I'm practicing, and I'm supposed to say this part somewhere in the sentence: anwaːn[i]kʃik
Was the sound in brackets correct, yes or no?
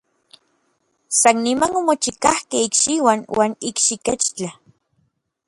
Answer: yes